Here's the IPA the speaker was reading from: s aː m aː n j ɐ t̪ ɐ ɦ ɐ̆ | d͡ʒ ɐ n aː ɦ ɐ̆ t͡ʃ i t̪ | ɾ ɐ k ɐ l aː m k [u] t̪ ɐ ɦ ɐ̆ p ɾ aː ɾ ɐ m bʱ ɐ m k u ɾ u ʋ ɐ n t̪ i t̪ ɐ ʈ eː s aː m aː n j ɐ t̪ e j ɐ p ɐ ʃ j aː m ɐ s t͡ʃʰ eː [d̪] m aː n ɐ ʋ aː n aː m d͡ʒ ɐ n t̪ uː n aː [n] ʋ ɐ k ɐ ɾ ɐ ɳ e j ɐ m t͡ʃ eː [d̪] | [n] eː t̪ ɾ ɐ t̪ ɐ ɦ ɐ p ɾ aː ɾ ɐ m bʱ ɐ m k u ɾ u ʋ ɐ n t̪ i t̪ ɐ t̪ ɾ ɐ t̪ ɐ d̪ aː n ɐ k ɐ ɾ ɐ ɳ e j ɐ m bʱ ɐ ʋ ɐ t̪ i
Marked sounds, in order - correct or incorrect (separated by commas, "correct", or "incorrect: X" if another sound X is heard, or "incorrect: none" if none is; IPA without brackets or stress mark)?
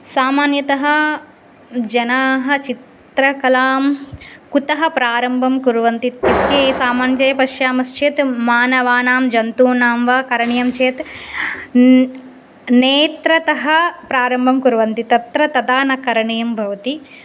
correct, incorrect: t̪, incorrect: m, incorrect: t̪, correct